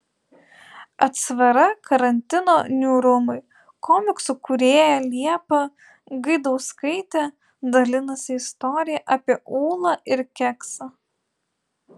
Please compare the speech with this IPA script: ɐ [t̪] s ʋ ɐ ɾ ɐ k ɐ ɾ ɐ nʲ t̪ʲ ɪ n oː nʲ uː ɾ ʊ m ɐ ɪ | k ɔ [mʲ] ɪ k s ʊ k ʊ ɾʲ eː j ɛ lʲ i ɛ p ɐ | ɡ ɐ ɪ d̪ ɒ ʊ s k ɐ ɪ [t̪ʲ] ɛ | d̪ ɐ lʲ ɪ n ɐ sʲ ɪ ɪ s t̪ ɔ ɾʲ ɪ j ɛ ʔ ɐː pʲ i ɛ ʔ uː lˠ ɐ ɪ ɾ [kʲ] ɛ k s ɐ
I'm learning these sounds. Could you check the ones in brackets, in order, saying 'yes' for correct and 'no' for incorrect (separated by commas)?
yes, yes, yes, yes